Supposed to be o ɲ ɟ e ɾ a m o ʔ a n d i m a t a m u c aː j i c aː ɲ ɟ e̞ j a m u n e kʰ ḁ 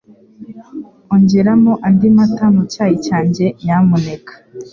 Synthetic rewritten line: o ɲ ɟ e ɾ a m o ʔ a n d i m a t a m u c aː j i c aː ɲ ɟ e̞ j a m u n e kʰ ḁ